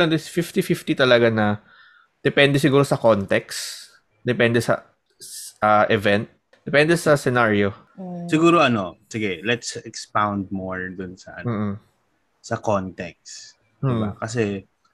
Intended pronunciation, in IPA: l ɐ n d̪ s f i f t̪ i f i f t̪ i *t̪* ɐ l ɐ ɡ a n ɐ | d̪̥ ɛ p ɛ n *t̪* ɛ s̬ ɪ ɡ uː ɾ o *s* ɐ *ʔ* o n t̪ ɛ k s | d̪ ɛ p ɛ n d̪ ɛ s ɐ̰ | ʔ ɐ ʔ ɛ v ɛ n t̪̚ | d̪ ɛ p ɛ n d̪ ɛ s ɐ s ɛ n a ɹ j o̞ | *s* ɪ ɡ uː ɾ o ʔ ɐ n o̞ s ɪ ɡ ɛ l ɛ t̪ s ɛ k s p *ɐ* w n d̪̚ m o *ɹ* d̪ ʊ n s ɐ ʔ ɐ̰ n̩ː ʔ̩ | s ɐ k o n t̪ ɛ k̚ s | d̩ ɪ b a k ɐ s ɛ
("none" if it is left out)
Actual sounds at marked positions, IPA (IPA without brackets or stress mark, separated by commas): t̪, d̪, s, k, s, a, ɹ